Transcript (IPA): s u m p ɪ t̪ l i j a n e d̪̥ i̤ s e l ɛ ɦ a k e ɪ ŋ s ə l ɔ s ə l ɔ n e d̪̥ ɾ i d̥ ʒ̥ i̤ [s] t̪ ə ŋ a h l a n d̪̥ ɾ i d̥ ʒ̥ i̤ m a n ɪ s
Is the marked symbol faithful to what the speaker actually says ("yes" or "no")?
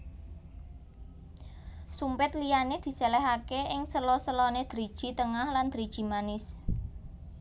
no